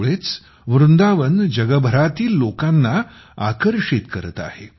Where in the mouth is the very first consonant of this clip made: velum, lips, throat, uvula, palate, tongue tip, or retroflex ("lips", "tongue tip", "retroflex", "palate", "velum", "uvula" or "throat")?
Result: retroflex